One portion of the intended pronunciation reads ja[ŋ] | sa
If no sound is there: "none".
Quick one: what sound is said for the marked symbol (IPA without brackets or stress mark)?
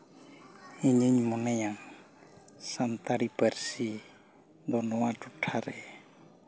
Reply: ŋ